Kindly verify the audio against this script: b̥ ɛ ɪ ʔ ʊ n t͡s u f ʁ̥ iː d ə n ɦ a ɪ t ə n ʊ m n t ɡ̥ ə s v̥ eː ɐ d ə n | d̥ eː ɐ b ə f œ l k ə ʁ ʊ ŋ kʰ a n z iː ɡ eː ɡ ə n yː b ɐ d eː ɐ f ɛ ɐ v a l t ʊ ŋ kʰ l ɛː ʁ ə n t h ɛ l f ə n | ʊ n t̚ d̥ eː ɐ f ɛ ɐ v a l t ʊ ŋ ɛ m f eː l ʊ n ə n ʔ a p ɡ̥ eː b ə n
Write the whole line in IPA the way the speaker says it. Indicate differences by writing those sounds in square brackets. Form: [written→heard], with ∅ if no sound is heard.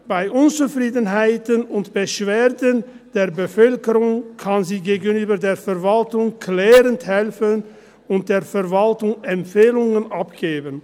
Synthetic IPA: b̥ [ɛ→a] ɪ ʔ ʊ n t͡s u f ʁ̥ iː d ə n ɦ a ɪ t ə n ʊ [m→∅] n t [ɡ̥→b̥] ə [s→ʃ] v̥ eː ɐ d ə n | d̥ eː ɐ b ə f œ l k ə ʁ ʊ ŋ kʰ a n z iː ɡ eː ɡ ə n yː b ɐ d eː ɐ f ɛ ɐ v a l t ʊ ŋ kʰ l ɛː ʁ ə n t h ɛ l f ə n | ʊ n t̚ d̥ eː ɐ f ɛ ɐ v a l t ʊ ŋ ɛ m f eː l ʊ [n→ŋ] ə n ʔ a p ɡ̥ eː b ə n